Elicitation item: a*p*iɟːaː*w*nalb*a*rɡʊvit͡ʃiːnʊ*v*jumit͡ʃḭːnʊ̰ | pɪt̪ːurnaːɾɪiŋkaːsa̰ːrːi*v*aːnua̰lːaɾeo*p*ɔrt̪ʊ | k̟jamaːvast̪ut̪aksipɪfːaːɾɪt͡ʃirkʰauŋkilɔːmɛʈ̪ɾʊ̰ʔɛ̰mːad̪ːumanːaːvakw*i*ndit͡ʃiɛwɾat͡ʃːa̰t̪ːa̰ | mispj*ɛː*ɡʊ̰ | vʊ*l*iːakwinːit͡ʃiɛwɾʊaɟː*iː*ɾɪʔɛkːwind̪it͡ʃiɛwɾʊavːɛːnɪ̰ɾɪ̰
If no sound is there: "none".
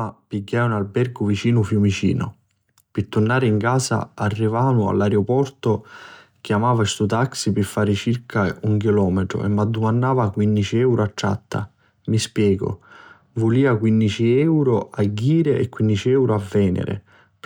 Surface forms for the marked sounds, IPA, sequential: p, u, ɛ, f, v, p, i, ɛː, l, iː

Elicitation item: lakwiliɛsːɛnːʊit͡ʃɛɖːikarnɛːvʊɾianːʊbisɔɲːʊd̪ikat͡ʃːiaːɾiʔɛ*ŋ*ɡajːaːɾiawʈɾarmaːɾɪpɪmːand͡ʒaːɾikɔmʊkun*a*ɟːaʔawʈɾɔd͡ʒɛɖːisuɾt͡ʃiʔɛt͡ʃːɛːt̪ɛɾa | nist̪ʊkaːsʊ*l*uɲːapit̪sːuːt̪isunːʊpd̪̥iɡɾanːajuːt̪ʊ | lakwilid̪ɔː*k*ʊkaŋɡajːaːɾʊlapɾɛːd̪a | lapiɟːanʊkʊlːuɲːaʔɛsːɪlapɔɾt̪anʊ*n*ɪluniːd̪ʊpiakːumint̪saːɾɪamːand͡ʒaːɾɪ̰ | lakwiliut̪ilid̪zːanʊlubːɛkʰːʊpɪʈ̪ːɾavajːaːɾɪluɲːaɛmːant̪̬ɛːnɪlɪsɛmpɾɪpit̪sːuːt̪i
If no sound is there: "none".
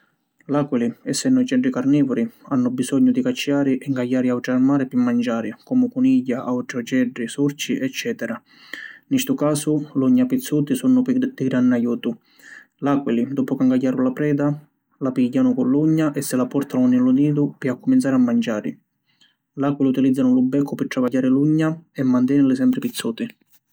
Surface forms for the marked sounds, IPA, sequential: ŋ, i, l, p, n

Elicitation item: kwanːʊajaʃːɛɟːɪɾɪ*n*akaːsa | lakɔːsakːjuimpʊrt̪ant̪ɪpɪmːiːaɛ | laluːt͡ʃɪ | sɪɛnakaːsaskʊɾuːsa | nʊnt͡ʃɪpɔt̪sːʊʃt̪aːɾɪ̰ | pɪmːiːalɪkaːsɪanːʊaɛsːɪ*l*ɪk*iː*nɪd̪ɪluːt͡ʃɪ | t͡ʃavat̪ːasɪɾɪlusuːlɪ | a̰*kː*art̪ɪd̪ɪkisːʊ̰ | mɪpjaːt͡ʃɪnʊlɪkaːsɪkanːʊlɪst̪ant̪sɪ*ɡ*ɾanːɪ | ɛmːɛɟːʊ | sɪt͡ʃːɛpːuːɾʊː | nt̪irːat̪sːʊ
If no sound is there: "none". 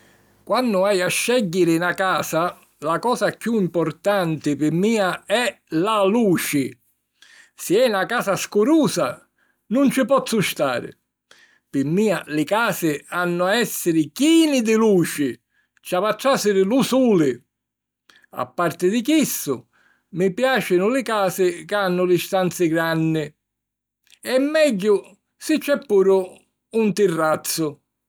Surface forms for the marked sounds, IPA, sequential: n, ɾ, iː, pː, ɡ

